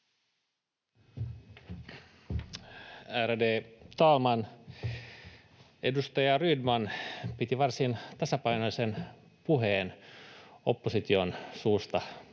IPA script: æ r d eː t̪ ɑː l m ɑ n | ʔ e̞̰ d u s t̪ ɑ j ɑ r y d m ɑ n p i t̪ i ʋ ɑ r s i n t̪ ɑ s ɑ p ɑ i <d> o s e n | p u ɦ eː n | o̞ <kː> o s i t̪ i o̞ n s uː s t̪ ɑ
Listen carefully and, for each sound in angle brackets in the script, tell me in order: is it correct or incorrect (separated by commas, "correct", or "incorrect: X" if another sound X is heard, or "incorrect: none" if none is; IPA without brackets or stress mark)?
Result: incorrect: n, incorrect: pː